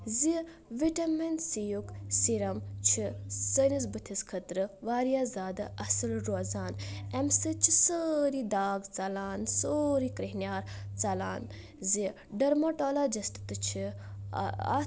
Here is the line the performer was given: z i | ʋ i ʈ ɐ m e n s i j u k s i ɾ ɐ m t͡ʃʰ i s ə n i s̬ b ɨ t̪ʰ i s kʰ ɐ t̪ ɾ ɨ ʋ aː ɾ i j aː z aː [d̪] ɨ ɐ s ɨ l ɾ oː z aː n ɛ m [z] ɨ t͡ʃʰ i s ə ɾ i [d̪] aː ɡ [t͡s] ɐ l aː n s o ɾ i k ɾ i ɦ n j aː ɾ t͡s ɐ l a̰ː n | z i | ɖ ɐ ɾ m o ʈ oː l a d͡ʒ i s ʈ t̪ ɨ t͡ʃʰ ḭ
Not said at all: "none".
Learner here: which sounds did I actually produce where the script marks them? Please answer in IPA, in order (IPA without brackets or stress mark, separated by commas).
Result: d̪, s, d̪, t͡s